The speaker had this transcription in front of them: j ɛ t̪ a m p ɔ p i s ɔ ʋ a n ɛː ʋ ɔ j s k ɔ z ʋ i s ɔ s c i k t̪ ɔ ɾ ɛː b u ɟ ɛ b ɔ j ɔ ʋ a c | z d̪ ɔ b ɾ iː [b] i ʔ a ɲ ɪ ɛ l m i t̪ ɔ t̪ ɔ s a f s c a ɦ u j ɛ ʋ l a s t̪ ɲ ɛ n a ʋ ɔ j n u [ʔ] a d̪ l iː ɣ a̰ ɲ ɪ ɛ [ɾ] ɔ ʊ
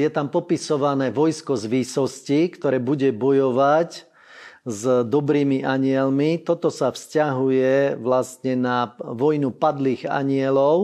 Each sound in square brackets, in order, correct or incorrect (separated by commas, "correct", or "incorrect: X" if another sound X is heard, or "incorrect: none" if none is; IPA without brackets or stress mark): incorrect: m, incorrect: p, incorrect: l